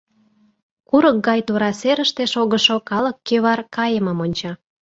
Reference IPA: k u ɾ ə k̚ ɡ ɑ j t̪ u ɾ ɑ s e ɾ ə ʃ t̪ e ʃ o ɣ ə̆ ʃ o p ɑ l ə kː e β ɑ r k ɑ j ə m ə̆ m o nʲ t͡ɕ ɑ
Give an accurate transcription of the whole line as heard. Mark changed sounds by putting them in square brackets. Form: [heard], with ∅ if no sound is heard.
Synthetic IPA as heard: k u ɾ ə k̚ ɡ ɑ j t̪ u ɾ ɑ s e ɾ ə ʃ t̪ e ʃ o ɣ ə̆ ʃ o [k] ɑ l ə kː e β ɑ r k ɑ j ə m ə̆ m o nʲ t͡ɕ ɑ